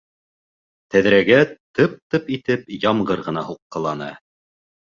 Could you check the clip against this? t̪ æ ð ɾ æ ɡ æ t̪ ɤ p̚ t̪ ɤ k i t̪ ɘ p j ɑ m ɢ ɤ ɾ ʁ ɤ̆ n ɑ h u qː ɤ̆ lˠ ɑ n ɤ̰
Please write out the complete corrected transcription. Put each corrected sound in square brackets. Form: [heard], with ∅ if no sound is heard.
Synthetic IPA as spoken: t̪ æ ð ɾ æ ɡ æ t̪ ɤ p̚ t̪ ɤ [p] i t̪ ɘ p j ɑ m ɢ ɤ ɾ ʁ ɤ̆ n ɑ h u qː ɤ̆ lˠ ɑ n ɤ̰